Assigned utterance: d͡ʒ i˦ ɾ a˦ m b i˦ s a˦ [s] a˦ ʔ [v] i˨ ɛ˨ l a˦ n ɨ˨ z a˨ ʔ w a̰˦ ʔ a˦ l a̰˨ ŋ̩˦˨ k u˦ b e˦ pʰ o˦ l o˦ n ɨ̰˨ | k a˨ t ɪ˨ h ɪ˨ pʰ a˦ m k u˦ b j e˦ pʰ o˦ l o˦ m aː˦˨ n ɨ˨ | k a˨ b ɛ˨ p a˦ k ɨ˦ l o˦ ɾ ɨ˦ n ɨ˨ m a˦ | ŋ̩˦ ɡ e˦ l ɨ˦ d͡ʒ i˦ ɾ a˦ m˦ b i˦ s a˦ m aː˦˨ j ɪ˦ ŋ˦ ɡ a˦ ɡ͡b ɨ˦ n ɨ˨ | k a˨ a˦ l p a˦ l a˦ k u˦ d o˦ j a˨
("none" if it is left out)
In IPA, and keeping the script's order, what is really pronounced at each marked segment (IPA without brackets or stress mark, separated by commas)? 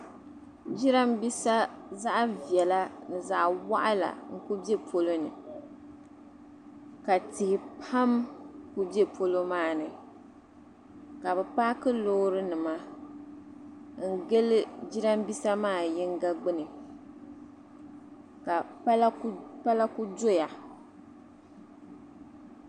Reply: z, v